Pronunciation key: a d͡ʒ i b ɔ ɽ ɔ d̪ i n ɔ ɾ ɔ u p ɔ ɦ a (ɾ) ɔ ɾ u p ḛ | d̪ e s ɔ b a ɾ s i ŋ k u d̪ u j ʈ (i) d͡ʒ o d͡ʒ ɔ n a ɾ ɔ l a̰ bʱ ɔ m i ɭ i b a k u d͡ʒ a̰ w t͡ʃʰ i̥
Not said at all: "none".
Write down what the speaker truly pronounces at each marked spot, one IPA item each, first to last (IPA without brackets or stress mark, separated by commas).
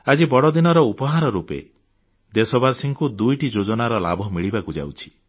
ɾ, i